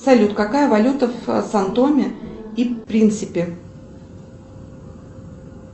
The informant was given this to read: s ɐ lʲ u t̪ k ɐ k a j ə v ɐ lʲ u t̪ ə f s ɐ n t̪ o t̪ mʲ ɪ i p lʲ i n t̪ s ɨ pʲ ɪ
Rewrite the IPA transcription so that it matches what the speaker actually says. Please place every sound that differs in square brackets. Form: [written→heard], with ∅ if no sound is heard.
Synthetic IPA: s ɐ lʲ u t̪ k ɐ k a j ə v ɐ lʲ u t̪ ə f s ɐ n t̪ o [t̪→∅] mʲ ɪ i p [lʲ→ɾʲ] i n t̪ s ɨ pʲ ɪ